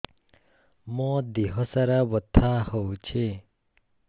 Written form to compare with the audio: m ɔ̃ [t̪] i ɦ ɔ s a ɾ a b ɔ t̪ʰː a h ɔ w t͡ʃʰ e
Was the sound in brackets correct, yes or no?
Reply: no